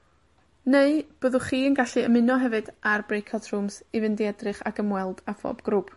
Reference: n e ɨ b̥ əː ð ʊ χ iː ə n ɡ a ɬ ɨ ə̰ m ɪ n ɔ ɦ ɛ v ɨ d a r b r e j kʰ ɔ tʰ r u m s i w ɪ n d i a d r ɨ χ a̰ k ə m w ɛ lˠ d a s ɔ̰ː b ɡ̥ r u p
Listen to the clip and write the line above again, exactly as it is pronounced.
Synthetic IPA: n e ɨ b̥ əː ð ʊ χ iː ə n ɡ a ɬ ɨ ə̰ m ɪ n ɔ ɦ ɛ v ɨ d a r b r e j kʰ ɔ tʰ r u m s i v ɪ n d i ɛ d r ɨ χ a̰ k ə m w ɛ lˠ d a f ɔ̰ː b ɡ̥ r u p

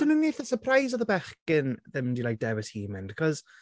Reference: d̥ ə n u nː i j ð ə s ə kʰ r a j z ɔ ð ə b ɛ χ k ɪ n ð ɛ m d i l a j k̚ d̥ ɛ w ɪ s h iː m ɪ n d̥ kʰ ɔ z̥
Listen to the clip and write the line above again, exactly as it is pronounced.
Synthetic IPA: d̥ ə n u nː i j θ ə s ə pʰ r a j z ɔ ð ə b ɛ χ k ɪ n ð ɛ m d i l a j k̚ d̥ ɛ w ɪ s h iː m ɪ n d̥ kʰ ɔ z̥

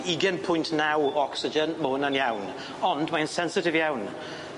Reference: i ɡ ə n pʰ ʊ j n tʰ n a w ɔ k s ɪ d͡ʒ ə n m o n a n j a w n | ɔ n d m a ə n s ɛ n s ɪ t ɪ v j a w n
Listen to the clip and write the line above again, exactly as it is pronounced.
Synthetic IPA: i ɡ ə n pʰ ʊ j n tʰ n a w ɔ k s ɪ d͡ʒ ə n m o n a n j a w n | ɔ n d m a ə n s ɛ n s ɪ t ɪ v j a w n

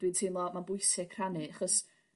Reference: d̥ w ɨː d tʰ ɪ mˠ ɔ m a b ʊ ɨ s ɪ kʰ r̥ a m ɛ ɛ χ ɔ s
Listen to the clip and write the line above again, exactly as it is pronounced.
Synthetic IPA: d̥ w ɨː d tʰ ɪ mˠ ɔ m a b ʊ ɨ s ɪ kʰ r̥ a n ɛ a χ ɔ s

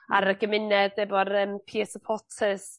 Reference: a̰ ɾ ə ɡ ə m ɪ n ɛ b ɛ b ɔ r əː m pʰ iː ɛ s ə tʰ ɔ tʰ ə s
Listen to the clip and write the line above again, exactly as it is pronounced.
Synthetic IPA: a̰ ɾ ə ɡ ə m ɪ n ɛ d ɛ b ɔ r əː m pʰ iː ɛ s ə pʰ ɔ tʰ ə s

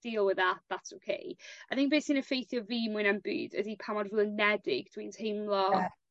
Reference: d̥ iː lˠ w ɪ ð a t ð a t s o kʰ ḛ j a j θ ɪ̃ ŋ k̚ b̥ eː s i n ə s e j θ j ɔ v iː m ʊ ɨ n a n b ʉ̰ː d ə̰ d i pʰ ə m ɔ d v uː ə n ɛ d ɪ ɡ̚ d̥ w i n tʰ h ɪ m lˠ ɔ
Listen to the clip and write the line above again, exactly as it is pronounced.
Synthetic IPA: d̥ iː lˠ w ɪ ð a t ð a t s o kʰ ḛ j a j θ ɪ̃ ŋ k̚ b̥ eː s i n ə f e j θ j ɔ v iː m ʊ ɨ n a n b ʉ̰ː d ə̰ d i pʰ a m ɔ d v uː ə n ɛ d ɪ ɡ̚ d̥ w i n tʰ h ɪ m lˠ ɔ

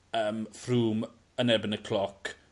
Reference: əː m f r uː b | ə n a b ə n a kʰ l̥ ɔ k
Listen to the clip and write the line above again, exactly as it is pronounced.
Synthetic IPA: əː m f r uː m | ə n ɛ b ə n ə kʰ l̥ ɔ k

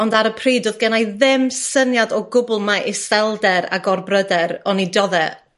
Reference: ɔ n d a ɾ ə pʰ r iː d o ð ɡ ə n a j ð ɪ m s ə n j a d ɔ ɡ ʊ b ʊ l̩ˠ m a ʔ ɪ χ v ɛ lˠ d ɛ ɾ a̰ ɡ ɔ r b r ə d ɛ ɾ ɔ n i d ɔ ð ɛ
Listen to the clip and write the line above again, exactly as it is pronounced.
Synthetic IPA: ɔ n d a ɾ ə pʰ r iː d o ð ɡ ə n a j ð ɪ m s ə n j a d ɔ ɡ ʊ b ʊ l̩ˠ m a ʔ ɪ s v ɛ lˠ d ɛ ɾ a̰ ɡ ɔ r b r ə d ɛ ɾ ɔ n i d ɔ ð ɛ

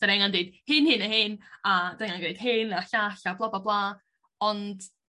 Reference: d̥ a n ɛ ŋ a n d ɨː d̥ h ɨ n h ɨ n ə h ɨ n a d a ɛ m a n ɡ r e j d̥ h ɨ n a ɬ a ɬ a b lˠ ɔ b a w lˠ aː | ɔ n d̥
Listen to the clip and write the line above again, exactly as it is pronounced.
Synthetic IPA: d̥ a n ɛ ŋ a n d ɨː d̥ h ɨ n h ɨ n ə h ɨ n a d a ɛ ŋ a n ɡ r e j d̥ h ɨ n a ɬ a ɬ a b lˠ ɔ b a b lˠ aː | ɔ n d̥

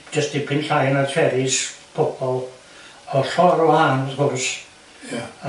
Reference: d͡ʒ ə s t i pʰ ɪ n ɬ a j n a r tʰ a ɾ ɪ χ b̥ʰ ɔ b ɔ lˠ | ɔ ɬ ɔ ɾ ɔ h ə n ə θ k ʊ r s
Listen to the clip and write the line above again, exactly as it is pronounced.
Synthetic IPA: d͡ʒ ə s t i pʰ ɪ n ɬ a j n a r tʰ ɛ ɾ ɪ s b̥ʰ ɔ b ɔ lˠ | ɔ ɬ ɔ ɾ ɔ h a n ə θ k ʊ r s

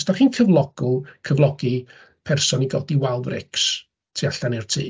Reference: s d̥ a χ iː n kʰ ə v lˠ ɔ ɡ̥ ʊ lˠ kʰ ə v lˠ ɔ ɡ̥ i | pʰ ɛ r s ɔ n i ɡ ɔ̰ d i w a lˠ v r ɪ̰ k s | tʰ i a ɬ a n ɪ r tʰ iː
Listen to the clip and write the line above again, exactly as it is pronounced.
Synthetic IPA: s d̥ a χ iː n kʰ ə v lˠ ɔ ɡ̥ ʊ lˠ kʰ ə v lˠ ɔ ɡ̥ i | pʰ ɛ r s ɔ n i ɡ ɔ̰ d i w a lˠ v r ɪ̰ k s | tʰ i a ɬ a n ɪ r tʰ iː

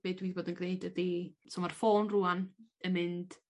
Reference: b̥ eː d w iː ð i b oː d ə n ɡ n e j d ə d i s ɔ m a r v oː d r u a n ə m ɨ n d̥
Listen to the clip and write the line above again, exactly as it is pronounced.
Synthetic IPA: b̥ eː d w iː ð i b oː d ə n ɡ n e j d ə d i s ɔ m a r f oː n r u a n ə m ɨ n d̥

